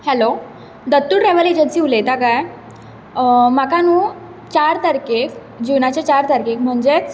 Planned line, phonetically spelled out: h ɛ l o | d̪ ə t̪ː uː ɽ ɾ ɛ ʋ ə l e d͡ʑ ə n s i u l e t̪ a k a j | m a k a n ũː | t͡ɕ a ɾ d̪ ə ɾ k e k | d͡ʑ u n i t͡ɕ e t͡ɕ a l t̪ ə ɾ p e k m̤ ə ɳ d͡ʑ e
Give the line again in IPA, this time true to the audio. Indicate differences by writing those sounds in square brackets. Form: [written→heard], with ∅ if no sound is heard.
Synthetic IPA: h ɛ l o | d̪ ə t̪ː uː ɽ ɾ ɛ ʋ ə l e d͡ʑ ə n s i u l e t̪ a k a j | m a k a n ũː | t͡ɕ a ɾ [d̪→t̪] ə ɾ k e k | d͡ʑ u n [i→a] t͡ɕ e t͡ɕ a [l→ɾ] t̪ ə ɾ [p→k] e k m̤ ə ɳ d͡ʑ e